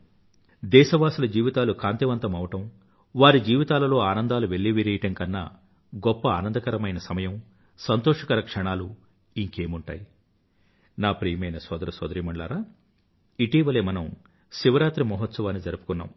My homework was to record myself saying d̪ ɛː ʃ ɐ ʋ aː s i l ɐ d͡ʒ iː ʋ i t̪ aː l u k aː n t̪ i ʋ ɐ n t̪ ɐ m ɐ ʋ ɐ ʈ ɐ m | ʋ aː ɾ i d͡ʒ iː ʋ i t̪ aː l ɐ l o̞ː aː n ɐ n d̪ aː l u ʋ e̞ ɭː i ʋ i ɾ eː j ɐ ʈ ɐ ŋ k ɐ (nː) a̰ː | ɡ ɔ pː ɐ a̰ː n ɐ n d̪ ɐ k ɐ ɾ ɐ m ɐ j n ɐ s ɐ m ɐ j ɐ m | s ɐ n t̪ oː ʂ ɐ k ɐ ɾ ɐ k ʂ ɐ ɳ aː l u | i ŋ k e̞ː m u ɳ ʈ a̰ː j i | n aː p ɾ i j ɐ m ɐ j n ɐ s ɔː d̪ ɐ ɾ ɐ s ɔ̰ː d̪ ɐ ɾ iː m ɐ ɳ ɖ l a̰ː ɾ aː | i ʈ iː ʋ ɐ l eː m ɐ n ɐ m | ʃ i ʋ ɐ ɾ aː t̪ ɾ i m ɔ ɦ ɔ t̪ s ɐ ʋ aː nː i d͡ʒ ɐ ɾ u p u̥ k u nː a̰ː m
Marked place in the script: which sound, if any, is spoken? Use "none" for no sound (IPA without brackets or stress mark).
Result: nː